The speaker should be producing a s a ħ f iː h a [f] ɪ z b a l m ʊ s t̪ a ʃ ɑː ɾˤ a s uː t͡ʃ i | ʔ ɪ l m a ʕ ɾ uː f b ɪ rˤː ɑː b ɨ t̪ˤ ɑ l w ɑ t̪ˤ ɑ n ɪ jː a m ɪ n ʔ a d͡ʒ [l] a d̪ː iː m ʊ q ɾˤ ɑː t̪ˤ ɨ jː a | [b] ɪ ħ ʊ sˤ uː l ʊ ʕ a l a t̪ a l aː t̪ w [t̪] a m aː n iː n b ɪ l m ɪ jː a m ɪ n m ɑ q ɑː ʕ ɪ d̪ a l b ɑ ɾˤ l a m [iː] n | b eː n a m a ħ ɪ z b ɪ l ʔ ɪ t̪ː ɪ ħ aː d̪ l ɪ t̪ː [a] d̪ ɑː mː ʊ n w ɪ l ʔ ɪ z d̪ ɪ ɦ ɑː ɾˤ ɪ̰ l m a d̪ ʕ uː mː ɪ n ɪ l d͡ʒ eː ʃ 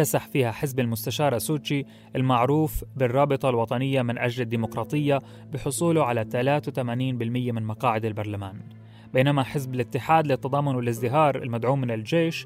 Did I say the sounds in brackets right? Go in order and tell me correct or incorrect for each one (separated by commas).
incorrect, correct, correct, correct, incorrect, incorrect